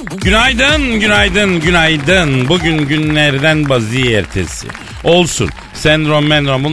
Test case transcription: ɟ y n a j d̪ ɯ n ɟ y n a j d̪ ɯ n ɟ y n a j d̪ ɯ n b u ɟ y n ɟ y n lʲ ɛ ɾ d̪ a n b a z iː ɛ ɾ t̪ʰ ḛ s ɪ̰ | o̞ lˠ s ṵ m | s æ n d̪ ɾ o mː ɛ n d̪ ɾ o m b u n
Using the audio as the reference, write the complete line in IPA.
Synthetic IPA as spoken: ɟ y n a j d̪ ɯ n ɟ y n a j d̪ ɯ n ɟ y n a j d̪ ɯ n b u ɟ y n ɟ y n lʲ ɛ ɾ d̪ æ n b a z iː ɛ ɾ t̪ʰ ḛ s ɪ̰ | o̞ lˠ s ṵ n | s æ n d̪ ɾ o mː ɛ n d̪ ɾ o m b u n